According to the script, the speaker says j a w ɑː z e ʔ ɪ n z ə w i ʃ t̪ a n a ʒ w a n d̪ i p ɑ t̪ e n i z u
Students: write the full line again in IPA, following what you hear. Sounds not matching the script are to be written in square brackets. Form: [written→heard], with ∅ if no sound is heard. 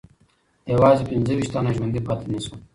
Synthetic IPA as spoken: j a w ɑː z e [ʔ→p] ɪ n z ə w i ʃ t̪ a n a ʒ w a n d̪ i p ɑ t̪ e n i [z→s] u